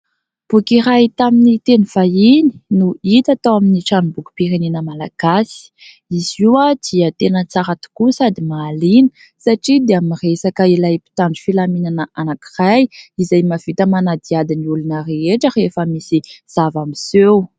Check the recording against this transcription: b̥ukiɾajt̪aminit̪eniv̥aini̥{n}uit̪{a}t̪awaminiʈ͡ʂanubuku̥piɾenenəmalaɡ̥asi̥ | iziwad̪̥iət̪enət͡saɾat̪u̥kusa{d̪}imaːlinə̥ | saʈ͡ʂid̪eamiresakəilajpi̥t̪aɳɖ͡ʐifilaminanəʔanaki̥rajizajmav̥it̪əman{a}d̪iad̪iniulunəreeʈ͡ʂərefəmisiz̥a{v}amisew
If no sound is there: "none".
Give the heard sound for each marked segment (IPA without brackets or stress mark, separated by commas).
n, a, d̪, a, v